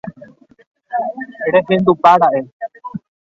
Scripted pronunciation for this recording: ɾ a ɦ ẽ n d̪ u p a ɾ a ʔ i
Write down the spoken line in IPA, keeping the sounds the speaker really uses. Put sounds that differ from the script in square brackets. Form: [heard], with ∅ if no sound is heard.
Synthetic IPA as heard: ɾ [e] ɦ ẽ n d̪ u p a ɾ a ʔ [e]